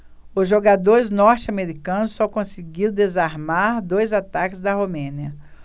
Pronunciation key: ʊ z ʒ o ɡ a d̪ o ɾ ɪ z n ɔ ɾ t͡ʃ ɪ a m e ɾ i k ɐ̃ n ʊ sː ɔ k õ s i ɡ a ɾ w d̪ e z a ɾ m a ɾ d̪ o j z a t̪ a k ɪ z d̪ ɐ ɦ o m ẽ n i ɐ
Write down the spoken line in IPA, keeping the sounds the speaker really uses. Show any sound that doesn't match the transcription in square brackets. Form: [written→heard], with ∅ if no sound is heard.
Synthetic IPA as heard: ʊ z ʒ o ɡ a d̪ o ɾ ɪ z n ɔ ɾ t͡ʃ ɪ a m e ɾ i k ɐ̃ n ʊ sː ɔ k õ s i ɡ [a→i] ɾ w d̪ e z a ɾ m a ɾ d̪ o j z a t̪ a k ɪ z d̪ ɐ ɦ o m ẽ n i ɐ

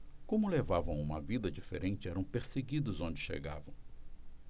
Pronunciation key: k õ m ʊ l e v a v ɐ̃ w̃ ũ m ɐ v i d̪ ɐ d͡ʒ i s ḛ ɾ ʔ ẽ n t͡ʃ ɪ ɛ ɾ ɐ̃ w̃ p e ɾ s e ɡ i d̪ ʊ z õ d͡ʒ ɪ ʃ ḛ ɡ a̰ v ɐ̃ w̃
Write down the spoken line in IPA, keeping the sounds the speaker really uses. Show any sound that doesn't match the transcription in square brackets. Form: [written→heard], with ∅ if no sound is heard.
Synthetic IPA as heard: k õ m ʊ l e v a v ɐ̃ w̃ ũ m ɐ v i d̪ ɐ d͡ʒ i [s→f] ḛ ɾ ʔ ẽ n t͡ʃ ɪ ɛ ɾ ɐ̃ w̃ p e ɾ s e ɡ i d̪ ʊ z õ d͡ʒ ɪ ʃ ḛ ɡ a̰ v ɐ̃ w̃

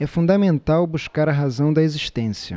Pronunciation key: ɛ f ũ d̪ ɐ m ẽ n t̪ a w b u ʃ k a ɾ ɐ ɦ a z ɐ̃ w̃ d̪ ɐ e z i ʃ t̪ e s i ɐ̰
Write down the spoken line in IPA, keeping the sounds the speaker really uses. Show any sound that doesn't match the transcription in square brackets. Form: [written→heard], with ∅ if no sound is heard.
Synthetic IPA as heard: ɛ f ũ d̪ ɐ m ẽ n t̪ a w b u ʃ k a ɾ ɐ ɦ a z ɐ̃ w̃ d̪ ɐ e z i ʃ t̪ [e→ẽ] s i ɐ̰

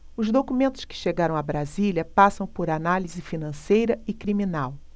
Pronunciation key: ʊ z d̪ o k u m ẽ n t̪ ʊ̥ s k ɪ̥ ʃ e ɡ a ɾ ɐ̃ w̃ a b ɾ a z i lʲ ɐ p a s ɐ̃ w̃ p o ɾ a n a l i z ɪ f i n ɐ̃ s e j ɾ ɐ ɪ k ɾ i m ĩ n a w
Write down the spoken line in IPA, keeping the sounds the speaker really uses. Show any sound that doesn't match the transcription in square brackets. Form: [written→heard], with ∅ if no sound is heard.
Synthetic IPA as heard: ʊ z d̪ o k u m ẽ n t̪ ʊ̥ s k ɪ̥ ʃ e ɡ a ɾ ɐ̃ w̃ a b ɾ a z i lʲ ɐ p a s ɐ̃ w̃ p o ɾ a n a l i z ɪ f i n ɐ̃ s e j ɾ ɐ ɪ k ɾ i m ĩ n a w

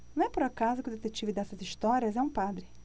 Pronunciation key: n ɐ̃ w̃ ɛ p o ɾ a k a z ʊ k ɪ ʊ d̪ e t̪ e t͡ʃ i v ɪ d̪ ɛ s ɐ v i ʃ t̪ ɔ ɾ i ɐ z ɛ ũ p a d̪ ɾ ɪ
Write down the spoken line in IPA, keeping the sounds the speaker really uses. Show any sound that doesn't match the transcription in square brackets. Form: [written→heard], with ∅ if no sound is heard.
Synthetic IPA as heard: n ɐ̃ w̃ ɛ p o ɾ a k a z ʊ k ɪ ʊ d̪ e t̪ e t͡ʃ i v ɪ d̪ ɛ s ɐ [v→z] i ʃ t̪ ɔ ɾ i ɐ z ɛ ũ p a d̪ ɾ ɪ

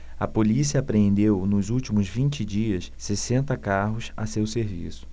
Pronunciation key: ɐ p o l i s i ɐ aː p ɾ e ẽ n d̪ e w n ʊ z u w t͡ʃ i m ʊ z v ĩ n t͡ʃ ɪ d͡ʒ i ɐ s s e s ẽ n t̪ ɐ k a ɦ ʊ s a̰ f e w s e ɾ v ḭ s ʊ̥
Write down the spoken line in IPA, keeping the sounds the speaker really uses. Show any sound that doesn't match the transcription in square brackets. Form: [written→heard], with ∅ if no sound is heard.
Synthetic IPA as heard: ɐ p o l i s i ɐ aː p ɾ e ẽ n d̪ e w n ʊ z u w t͡ʃ i m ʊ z v ĩ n t͡ʃ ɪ d͡ʒ i ɐ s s e s ẽ n t̪ ɐ k a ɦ ʊ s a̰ [f→s] e w s e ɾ v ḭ s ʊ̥

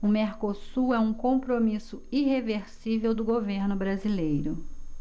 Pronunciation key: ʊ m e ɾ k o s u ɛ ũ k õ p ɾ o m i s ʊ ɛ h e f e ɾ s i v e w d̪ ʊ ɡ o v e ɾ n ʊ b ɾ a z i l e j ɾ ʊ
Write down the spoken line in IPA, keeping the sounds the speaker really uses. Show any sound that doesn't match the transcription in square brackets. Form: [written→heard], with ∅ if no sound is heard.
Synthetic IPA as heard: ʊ m e ɾ k o s u ɛ ũ k õ p ɾ o m i s ʊ [ɛ→i] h e [f→v] e ɾ s i v e w d̪ ʊ ɡ o v e ɾ n ʊ b ɾ a z i l e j ɾ ʊ

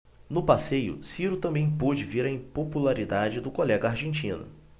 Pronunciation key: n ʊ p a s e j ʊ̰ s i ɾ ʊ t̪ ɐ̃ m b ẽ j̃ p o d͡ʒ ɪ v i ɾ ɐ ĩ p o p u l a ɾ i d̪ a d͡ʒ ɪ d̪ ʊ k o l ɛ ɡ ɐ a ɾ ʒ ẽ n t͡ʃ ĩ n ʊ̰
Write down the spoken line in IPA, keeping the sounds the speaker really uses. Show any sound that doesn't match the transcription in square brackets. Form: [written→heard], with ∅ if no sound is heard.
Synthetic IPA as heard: n ʊ p a s e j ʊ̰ s i ɾ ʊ t̪ ɐ̃ m b ẽ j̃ p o d͡ʒ ɪ v i ɾ ɐ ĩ p o p u l a ɾ i d̪ a d͡ʒ ɪ d̪ ʊ k o l ɛ ɡ ɐ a ɾ ʒ ẽ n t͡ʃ ĩ n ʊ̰

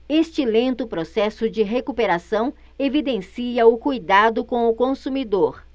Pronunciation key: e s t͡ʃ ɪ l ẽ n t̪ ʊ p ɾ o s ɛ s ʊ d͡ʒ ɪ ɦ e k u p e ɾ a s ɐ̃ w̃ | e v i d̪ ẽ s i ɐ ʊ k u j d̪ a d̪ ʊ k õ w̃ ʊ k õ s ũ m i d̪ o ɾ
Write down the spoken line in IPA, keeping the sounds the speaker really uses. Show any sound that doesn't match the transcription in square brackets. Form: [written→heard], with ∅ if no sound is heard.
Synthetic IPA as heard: e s t͡ʃ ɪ l ẽ n t̪ ʊ p ɾ o s ɛ s ʊ d͡ʒ ɪ ɦ e k u p e ɾ a s ɐ̃ w̃ | e v i d̪ ẽ s i ɐ ʊ k u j d̪ a d̪ ʊ k õ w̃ ʊ k õ s [ũ→u] m i d̪ o ɾ

